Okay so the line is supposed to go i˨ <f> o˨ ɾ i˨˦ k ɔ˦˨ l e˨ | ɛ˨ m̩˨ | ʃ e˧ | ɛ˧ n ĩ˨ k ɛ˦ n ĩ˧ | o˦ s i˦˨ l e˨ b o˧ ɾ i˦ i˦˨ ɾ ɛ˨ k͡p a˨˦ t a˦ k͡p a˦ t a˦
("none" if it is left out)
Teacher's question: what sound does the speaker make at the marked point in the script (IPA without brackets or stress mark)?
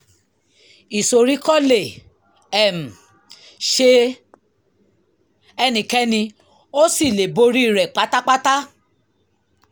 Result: s